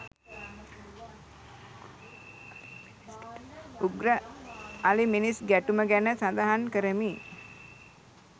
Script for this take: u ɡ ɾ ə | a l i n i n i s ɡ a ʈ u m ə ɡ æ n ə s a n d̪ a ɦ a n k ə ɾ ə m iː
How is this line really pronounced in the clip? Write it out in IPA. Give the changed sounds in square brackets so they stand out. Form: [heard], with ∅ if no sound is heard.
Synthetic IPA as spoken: u ɡ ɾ ə | a l i [m] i n i s ɡ [æ] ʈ u m ə ɡ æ n ə s a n d̪ a ɦ a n k ə ɾ ə m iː